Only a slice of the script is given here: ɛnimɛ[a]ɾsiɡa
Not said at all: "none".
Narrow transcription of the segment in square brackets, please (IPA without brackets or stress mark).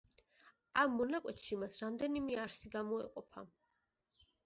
a